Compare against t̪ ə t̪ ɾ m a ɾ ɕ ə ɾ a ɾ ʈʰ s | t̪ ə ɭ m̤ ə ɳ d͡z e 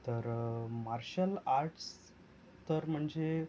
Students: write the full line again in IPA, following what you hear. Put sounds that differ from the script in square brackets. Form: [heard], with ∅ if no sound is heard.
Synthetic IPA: t̪ ə [∅] ɾ m a ɾ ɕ ə [l] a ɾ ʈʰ s | t̪ ə [ɾ] m̤ ə ɳ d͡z e